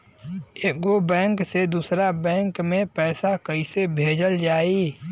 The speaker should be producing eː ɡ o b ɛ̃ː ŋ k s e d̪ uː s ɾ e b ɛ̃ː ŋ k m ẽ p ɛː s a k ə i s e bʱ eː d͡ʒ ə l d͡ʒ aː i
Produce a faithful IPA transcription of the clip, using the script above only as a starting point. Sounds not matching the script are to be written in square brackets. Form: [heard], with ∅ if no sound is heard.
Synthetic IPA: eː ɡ o b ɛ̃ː ŋ k s e d̪ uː s ɾ [a] b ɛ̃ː ŋ k m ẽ p ɛː s a k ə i s e bʱ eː d͡ʒ ə l d͡ʒ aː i